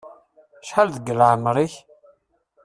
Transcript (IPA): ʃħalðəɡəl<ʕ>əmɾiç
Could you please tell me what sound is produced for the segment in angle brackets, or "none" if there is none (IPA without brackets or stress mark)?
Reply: ʕ